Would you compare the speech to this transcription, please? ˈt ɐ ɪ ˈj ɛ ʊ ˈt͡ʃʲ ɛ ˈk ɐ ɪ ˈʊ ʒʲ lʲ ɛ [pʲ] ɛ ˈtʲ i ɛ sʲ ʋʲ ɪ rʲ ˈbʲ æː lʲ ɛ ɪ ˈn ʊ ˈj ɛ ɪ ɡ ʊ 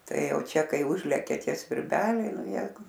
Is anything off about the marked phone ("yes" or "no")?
yes